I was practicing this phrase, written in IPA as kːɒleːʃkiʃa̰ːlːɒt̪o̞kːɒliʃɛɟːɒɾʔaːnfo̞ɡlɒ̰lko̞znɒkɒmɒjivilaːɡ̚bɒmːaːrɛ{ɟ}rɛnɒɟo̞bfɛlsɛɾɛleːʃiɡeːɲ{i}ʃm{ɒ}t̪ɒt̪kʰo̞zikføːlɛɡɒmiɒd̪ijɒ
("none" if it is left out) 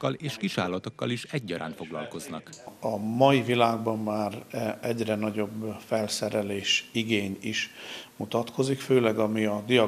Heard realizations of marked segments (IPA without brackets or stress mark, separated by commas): ɟ, i, u